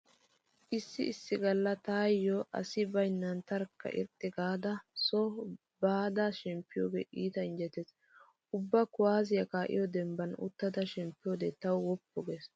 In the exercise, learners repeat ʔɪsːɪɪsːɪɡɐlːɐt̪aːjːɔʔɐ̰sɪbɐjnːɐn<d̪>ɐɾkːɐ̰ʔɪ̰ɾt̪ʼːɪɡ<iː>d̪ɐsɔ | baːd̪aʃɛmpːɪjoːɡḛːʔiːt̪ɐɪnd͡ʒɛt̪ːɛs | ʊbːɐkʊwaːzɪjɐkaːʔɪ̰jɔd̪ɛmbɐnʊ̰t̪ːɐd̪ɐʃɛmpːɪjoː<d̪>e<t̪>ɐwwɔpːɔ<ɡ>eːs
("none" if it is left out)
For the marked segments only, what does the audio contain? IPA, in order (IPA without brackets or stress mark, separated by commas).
t̪, aː, d̪, t̪, ɡ